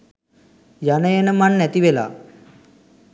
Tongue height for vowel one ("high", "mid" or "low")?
low